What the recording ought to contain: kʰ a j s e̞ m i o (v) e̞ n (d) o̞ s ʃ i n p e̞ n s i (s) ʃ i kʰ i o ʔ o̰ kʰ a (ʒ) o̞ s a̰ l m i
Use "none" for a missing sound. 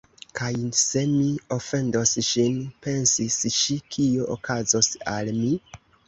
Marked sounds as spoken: f, d, s, z

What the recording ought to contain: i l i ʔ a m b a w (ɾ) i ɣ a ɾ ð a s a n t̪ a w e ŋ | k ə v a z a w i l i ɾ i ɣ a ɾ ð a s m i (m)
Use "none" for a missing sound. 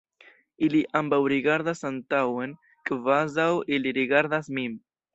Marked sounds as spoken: ɾ, m

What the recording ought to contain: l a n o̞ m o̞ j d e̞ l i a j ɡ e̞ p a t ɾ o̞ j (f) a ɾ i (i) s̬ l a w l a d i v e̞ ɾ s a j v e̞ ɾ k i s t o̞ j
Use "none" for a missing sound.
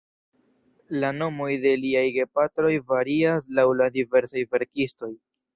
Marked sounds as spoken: v, a

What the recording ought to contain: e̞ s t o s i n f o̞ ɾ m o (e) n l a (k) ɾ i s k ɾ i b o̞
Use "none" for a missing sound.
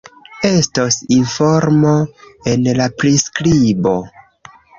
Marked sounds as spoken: e, p

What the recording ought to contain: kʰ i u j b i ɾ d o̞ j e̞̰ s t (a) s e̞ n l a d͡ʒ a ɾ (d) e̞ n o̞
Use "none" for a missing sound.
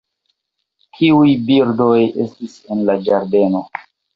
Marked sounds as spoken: i, d

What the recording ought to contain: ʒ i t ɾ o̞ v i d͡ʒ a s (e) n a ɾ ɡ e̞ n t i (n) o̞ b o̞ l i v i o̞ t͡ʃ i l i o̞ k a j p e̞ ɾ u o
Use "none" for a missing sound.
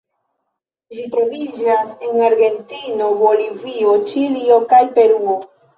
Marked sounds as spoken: e, n

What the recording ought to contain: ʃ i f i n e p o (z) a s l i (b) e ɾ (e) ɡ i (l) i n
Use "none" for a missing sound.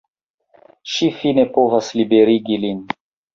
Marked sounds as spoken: v, b, i, l

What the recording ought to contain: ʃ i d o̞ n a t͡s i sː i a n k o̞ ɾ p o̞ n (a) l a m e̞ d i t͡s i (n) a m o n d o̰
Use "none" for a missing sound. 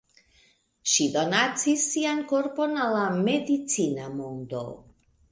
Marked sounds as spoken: a, n

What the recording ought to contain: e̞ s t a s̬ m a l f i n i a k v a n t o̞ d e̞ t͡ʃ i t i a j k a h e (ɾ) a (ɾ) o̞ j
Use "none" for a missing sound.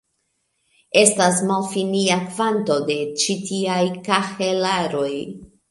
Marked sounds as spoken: l, ɾ

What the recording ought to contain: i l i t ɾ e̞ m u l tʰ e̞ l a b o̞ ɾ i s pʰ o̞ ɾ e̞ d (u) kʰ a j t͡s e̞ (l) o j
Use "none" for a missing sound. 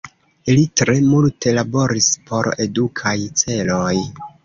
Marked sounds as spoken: u, l

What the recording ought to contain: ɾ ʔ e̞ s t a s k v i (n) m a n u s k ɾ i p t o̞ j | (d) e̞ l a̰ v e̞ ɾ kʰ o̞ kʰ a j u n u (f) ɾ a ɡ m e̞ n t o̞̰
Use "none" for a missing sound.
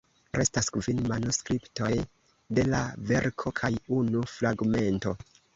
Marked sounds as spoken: n, d, f

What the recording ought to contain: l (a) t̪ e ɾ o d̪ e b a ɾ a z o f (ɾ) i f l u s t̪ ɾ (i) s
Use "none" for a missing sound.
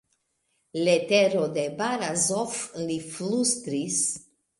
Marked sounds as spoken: e, l, i

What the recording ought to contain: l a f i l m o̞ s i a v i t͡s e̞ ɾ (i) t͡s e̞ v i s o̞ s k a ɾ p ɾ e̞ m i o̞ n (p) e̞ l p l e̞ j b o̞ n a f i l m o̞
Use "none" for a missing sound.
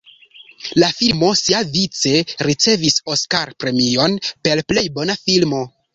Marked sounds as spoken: i, p

